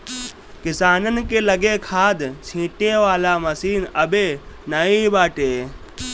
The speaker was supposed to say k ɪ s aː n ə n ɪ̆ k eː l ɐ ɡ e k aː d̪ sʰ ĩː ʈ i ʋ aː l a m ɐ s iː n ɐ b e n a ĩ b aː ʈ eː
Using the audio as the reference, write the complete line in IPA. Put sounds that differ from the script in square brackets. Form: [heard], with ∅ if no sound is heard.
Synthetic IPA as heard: k ɪ s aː n ə n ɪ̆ k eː l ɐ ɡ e [kʰ] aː d̪ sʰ ĩː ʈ [e] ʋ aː l a m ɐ s iː n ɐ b e n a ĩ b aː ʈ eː